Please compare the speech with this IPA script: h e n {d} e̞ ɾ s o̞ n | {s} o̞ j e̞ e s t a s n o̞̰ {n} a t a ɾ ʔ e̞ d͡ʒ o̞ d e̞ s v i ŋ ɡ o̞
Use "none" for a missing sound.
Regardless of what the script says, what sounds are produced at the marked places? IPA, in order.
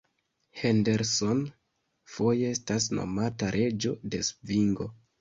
d, f, m

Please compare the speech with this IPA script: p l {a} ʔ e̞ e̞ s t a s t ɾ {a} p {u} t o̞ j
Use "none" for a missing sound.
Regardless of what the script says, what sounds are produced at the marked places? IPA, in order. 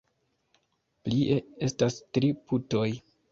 i, i, u

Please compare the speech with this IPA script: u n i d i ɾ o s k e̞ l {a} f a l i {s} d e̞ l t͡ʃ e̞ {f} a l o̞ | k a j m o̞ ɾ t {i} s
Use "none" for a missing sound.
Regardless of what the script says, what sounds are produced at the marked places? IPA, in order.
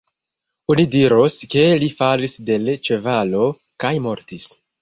i, s, v, i

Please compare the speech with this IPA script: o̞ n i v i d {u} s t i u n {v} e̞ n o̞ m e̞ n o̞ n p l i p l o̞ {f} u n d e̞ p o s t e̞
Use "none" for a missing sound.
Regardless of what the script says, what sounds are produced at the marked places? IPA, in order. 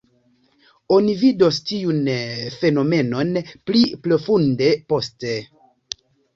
o, f, f

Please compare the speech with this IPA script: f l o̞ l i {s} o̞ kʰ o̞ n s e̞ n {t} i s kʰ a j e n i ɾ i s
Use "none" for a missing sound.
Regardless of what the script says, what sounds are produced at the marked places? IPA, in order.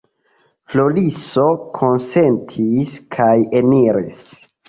s, tʰ

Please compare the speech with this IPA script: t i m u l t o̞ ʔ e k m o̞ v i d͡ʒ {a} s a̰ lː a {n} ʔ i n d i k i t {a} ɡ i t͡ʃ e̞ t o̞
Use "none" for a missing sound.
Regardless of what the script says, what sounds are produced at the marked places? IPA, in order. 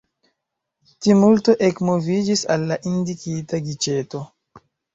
i, none, a

